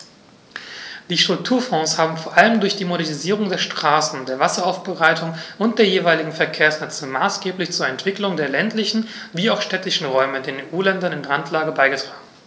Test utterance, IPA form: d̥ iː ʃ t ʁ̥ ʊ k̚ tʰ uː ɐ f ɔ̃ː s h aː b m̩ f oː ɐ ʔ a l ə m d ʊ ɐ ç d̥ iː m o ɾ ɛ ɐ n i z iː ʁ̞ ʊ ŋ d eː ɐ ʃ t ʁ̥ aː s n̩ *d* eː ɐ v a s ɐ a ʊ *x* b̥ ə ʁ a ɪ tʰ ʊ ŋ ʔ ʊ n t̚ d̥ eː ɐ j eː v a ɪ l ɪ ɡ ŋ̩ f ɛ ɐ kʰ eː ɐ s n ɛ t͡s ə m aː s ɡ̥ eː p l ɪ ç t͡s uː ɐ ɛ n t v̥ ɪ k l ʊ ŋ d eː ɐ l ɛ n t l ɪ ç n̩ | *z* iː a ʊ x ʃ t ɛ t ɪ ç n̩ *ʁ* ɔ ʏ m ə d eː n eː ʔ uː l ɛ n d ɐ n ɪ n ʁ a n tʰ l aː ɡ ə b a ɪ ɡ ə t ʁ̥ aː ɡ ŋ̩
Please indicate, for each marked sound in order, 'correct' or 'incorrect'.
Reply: correct, incorrect: f, incorrect: v, correct

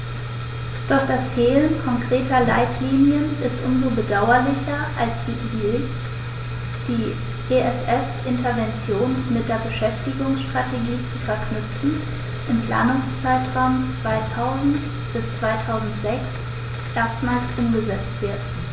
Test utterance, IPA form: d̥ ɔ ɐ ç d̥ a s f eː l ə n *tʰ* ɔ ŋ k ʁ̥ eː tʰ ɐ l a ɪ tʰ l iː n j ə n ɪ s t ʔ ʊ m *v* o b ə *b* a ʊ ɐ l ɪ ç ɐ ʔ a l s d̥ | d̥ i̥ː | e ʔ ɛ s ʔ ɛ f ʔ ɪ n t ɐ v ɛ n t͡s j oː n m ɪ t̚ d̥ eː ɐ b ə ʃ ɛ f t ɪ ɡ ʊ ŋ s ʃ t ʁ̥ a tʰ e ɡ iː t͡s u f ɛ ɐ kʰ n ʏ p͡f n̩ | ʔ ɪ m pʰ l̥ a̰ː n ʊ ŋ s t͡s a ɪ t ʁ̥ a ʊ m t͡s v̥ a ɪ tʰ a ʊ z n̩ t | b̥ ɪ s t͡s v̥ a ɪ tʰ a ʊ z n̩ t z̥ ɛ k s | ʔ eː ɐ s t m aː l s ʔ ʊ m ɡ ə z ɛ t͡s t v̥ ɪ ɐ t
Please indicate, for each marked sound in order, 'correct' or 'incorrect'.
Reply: incorrect: kʰ, incorrect: z, incorrect: d

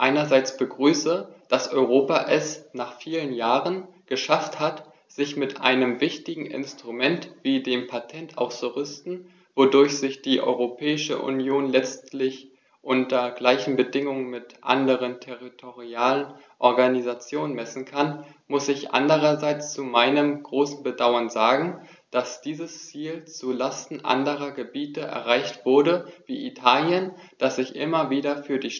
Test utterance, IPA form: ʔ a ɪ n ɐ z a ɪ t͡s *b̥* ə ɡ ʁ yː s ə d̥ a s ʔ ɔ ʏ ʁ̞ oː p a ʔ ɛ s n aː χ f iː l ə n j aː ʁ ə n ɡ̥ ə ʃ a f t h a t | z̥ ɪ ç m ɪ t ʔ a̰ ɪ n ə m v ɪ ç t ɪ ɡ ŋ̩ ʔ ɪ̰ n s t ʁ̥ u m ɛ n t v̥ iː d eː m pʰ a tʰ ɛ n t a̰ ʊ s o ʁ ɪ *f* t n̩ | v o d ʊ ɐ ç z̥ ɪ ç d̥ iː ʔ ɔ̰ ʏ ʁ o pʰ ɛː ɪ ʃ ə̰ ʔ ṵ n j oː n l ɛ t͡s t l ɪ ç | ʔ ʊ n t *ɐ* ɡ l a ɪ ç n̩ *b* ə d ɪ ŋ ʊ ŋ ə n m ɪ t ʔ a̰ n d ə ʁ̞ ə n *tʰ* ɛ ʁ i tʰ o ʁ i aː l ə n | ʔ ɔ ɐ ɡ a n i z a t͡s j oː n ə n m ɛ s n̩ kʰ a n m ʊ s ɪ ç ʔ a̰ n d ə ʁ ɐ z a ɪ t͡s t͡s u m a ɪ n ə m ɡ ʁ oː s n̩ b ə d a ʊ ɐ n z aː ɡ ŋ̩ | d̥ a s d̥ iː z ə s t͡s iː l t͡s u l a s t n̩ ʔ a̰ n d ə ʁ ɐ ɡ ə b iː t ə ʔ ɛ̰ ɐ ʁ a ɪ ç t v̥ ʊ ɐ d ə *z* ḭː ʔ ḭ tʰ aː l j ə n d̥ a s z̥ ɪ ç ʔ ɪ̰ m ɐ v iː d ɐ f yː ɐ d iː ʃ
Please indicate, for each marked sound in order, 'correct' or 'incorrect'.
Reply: correct, incorrect: s, correct, correct, correct, incorrect: v

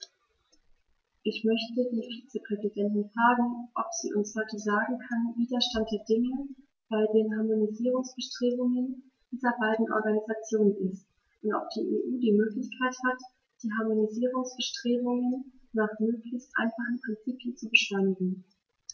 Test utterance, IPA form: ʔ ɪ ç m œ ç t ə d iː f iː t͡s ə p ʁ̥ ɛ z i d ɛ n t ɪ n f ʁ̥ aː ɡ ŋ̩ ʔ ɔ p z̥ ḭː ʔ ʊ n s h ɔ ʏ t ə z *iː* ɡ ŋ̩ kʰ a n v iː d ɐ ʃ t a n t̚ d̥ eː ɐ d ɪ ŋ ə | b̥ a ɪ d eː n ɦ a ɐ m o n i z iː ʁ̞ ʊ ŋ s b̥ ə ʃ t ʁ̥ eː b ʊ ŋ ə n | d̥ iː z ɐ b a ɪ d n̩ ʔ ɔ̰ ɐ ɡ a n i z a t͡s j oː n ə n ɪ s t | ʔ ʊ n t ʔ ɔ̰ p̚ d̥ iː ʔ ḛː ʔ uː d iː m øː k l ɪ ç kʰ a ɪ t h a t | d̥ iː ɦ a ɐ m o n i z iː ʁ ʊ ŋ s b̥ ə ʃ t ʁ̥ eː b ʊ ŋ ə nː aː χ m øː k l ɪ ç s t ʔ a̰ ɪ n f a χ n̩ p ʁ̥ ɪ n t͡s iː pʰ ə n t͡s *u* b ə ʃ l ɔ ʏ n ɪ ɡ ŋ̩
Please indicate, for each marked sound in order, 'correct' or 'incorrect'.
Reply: incorrect: aː, correct

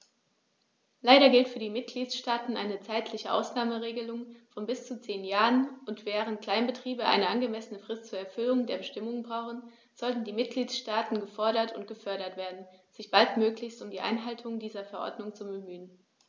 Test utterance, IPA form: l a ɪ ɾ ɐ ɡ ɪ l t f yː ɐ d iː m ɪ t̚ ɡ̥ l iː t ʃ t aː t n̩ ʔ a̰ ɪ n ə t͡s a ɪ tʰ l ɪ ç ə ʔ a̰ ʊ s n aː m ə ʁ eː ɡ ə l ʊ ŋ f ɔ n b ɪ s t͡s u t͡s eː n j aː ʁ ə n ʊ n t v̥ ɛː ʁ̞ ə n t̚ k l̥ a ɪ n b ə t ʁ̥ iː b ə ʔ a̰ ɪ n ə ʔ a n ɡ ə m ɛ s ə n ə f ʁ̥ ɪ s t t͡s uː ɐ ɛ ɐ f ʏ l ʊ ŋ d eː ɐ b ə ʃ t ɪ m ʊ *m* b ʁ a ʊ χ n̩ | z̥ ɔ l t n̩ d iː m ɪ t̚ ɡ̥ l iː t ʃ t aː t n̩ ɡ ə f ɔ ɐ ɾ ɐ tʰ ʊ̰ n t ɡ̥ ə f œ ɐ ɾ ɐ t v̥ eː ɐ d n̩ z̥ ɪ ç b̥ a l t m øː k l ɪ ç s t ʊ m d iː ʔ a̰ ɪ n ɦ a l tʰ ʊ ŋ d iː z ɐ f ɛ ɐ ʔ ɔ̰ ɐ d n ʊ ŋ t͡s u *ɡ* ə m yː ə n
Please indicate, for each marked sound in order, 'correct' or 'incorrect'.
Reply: incorrect: ŋ, incorrect: b

